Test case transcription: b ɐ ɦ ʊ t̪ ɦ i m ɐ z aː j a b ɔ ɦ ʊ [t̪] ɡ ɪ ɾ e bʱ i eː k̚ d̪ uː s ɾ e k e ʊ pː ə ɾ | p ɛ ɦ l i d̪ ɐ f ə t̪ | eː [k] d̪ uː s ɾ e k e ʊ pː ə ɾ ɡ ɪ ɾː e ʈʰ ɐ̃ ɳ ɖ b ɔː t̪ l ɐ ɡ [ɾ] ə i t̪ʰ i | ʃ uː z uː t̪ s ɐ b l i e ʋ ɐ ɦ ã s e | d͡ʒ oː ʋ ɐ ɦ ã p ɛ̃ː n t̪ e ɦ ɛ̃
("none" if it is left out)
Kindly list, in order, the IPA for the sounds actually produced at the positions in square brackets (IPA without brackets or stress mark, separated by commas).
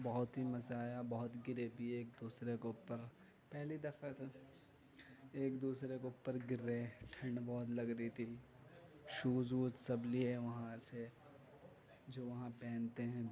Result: t̪, k, ɾ